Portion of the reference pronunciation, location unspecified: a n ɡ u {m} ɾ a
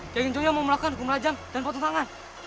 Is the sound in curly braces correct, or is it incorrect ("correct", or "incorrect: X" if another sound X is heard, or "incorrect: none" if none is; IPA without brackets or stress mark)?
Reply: correct